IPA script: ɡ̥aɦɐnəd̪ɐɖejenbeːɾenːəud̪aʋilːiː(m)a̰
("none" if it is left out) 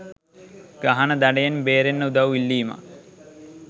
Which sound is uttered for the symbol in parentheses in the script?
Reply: m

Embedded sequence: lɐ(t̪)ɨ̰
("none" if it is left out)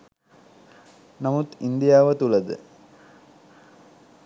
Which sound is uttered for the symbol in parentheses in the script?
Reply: d̪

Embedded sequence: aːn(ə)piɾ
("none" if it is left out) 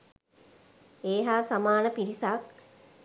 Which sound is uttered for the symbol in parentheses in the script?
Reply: ə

